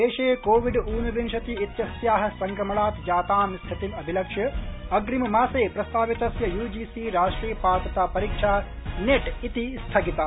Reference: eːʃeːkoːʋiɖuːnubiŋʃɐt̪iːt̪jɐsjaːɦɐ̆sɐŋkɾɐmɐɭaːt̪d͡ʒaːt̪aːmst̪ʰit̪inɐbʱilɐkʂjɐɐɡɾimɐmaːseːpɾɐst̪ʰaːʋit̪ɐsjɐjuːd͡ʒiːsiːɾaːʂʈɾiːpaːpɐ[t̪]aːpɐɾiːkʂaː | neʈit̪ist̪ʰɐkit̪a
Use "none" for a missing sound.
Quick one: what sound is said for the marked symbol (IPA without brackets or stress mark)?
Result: t̪